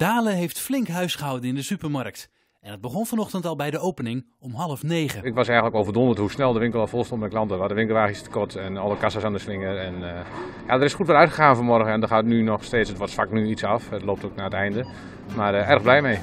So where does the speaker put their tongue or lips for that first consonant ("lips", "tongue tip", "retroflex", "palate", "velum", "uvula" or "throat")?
tongue tip